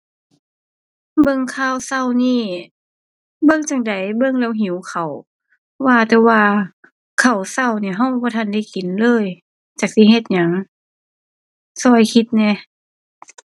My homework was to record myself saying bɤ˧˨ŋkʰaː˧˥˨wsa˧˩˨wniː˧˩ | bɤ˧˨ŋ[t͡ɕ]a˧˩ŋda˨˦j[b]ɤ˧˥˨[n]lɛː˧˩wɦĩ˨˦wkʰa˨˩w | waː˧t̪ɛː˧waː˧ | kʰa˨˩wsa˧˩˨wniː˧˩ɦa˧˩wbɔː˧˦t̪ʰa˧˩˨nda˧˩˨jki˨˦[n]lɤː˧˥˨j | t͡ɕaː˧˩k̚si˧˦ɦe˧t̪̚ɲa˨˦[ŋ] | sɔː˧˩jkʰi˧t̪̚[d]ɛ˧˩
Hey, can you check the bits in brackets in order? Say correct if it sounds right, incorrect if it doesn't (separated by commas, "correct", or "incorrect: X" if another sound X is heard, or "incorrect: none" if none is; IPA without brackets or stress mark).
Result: correct, correct, incorrect: ŋ, correct, correct, incorrect: n